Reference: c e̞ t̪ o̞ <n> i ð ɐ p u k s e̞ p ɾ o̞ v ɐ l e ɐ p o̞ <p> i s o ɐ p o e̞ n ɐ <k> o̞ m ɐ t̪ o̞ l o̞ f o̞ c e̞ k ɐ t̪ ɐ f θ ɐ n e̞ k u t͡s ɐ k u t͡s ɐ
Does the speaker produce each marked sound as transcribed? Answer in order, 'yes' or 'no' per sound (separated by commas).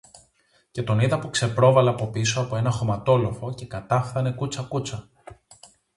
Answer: yes, yes, no